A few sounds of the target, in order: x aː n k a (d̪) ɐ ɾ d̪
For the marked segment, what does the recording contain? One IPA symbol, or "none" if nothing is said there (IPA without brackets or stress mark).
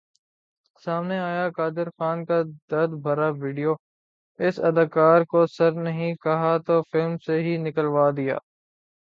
d̪